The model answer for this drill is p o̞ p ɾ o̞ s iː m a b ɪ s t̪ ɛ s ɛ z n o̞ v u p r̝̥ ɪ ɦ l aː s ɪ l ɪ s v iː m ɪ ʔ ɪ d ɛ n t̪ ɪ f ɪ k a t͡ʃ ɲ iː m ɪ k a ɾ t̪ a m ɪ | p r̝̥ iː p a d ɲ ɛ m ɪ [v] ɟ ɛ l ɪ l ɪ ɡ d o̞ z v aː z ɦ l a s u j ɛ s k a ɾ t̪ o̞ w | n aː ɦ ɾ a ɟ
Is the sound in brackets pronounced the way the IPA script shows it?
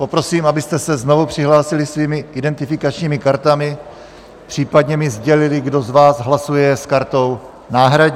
no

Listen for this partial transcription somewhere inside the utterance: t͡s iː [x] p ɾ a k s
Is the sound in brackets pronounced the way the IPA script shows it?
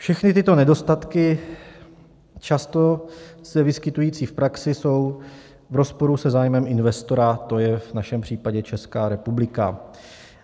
no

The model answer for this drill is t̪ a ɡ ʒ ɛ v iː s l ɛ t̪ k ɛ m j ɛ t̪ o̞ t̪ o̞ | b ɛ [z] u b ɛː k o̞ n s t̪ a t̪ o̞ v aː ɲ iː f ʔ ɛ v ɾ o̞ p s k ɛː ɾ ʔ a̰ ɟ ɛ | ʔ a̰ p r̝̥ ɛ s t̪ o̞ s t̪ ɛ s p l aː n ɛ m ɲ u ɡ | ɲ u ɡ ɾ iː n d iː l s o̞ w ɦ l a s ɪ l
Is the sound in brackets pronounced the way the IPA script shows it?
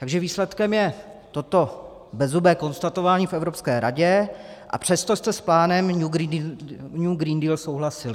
yes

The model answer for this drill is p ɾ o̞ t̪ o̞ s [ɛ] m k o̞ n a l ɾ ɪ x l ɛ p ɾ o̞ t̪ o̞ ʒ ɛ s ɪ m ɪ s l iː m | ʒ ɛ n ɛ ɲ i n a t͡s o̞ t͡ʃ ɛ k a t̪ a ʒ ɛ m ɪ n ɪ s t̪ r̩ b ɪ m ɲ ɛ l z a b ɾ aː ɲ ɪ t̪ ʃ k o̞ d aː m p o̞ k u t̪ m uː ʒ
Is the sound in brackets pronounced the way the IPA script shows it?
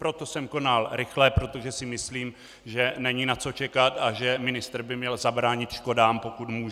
yes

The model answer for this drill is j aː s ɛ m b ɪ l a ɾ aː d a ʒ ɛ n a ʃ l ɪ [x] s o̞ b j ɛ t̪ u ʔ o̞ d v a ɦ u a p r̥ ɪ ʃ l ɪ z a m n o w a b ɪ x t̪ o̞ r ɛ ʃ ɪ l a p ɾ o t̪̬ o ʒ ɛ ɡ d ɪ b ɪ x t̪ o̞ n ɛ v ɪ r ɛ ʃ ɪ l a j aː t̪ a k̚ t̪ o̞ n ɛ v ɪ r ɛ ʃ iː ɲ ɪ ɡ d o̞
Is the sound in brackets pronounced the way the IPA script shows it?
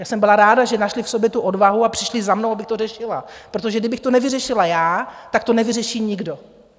no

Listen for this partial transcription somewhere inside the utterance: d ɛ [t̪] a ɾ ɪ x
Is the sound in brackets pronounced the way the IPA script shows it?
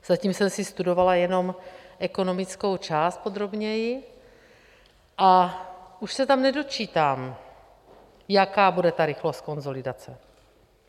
yes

